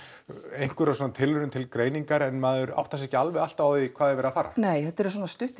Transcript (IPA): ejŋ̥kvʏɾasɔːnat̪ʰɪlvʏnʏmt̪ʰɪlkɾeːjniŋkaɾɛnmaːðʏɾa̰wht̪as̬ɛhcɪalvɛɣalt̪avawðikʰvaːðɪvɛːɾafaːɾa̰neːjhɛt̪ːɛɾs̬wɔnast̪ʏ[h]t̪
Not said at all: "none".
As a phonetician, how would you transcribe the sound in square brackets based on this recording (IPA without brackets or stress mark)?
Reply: h